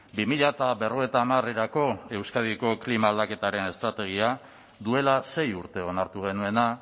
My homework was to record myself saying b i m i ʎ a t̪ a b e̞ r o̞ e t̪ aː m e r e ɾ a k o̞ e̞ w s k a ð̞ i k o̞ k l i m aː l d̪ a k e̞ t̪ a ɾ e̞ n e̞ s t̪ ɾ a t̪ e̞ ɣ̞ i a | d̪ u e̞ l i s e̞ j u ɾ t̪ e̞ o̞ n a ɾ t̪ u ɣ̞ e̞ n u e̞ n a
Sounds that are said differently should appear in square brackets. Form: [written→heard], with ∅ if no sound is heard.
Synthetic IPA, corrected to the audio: b i m i ʎ a t̪ a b e̞ r o̞ e t̪ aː m [e→a] r e ɾ a k o̞ e̞ w s k a ð̞ i k o̞ k l i m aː l d̪ a k e̞ t̪ a ɾ e̞ n e̞ s t̪ ɾ a t̪ e̞ ɣ̞ i a | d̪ u e̞ l [i→a] s e̞ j u ɾ t̪ e̞ o̞ n a ɾ t̪ u ɣ̞ e̞ n u e̞ n a

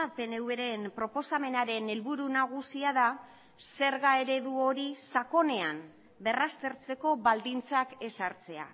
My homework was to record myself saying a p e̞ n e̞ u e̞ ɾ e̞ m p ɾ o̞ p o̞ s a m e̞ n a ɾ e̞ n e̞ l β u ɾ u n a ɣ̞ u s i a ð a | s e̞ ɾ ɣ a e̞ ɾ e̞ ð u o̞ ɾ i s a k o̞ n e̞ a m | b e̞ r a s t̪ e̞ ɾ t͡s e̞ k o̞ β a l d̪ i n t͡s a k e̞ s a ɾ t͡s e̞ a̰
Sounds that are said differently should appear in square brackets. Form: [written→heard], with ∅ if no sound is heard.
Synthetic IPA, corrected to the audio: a p e̞ n e̞ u e̞ ɾ e̞ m p ɾ o̞ p o̞ s a m e̞ n a ɾ e̞ n e̞ l β u ɾ u n a ɣ̞ u s i a ð a | s e̞ ɾ ɣ a e̞ ɾ e̞ ð u o̞ ɾ i s a k o̞ n e̞ a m | b e̞ r a s t̪ e̞ ɾ t͡s e̞ k o̞ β a l d̪ i n t͡s a k e̞ s a ɾ t͡s e̞ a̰

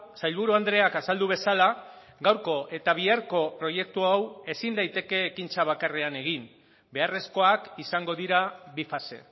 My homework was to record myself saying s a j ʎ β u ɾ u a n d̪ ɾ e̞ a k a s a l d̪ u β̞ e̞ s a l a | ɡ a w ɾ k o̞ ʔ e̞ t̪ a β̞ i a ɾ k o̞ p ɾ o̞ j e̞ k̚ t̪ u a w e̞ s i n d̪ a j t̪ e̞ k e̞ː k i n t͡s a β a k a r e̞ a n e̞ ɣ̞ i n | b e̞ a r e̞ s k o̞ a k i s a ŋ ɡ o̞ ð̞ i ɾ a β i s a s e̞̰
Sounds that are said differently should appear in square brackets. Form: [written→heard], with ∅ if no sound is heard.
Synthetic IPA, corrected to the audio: s a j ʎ β u ɾ u a n d̪ ɾ e̞ a k a s a l d̪ u β̞ e̞ s a l a | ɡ a w ɾ k o̞ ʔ e̞ t̪ a β̞ i a ɾ k o̞ p ɾ o̞ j e̞ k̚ t̪ u a w e̞ s i n d̪ a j t̪ e̞ k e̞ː k i n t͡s a β a k a r e̞ a n e̞ ɣ̞ i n | b e̞ a r e̞ s k o̞ a k i s a ŋ ɡ o̞ ð̞ i ɾ a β i [s→f] a s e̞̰

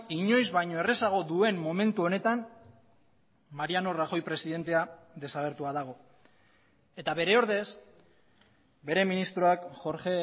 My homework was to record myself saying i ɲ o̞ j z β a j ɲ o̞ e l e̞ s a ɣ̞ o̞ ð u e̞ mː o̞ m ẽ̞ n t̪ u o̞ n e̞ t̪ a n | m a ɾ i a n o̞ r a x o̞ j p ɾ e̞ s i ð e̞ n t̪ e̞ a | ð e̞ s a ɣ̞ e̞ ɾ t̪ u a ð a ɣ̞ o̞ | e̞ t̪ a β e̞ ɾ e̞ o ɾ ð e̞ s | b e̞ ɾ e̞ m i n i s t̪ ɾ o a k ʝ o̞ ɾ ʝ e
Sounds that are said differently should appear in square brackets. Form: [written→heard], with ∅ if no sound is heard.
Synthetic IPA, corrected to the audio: i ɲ o̞ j z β a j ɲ o̞ e [l→r] e̞ s a ɣ̞ o̞ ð u e̞ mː o̞ m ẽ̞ n t̪ u o̞ n e̞ t̪ a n | m a ɾ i a n o̞ r a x o̞ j p ɾ e̞ s i ð e̞ n t̪ e̞ a | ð e̞ s a ɣ̞ e̞ ɾ t̪ u a ð a ɣ̞ o̞ | e̞ t̪ a β e̞ ɾ e̞ o ɾ ð e̞ s | b e̞ ɾ e̞ m i n i s t̪ ɾ o a k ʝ o̞ ɾ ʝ e

